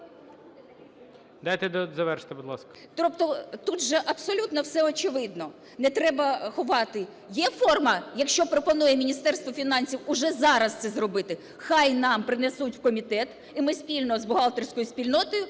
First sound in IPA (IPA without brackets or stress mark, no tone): d̪